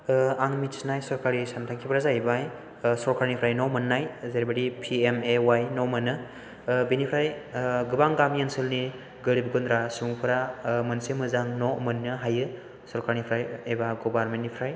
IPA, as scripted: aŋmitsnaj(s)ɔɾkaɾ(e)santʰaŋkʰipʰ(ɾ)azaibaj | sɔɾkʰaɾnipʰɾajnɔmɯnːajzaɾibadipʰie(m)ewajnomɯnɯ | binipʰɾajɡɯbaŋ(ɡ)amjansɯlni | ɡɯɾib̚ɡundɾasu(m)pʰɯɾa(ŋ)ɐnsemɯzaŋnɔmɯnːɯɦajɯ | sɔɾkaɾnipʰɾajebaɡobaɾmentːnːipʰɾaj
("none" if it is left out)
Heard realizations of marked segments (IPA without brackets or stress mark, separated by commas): s, i, ɾ, m, ɡ, ŋ, m